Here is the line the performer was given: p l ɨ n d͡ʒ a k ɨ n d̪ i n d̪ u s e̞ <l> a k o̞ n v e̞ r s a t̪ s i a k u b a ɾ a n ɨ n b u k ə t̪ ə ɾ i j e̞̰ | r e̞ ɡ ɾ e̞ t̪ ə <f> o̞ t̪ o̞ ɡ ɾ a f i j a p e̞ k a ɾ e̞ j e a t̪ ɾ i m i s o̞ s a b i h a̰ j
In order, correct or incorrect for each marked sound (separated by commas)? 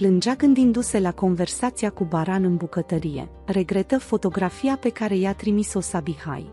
correct, correct